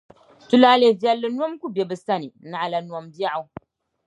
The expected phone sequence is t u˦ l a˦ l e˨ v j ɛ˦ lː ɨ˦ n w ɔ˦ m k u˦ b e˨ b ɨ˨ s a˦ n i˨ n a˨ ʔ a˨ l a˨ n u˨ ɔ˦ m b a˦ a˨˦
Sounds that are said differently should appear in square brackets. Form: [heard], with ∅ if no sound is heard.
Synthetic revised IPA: t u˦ l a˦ l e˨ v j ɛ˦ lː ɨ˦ n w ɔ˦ m k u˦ b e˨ b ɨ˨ s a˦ n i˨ n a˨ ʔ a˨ l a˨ n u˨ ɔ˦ m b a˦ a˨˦